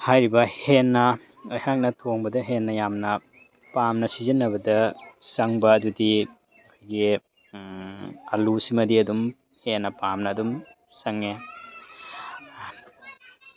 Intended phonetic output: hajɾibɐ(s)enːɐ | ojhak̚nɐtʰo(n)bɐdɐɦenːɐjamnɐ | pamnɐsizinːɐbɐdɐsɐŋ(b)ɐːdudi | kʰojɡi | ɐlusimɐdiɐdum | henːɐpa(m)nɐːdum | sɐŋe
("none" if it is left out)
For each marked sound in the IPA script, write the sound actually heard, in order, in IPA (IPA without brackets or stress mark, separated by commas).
h, ŋ, b, m